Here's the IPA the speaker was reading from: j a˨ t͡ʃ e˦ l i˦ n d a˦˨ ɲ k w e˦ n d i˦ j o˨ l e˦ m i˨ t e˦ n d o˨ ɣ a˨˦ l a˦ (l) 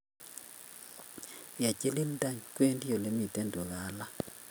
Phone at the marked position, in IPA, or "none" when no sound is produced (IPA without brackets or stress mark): none